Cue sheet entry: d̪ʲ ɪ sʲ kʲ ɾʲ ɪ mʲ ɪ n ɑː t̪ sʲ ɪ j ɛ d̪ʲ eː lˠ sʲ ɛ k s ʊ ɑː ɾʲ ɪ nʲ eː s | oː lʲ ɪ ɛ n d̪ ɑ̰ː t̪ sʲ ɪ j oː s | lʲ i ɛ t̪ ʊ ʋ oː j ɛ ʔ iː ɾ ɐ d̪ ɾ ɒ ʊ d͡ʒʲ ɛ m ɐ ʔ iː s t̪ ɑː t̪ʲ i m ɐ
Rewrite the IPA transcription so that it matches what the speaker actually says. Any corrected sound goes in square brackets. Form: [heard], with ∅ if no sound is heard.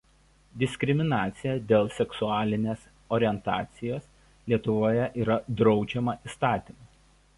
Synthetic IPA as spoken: d̪ʲ ɪ sʲ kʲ ɾʲ ɪ mʲ ɪ n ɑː t̪ sʲ ɪ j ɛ d̪ʲ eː lˠ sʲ ɛ k s ʊ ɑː [lʲ] ɪ nʲ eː s | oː [ɾʲ] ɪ ɛ n [t̪] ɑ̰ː t̪ sʲ ɪ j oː s | lʲ i ɛ t̪ ʊ ʋ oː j ɛ ʔ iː ɾ ɐ d̪ ɾ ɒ ʊ d͡ʒʲ ɛ m ɐ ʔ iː s t̪ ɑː t̪ʲ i m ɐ